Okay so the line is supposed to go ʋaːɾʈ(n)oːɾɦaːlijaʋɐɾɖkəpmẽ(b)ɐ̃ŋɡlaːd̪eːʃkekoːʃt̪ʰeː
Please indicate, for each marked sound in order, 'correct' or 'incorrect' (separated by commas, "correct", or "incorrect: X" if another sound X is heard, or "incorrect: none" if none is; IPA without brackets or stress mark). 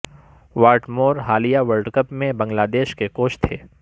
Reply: incorrect: m, correct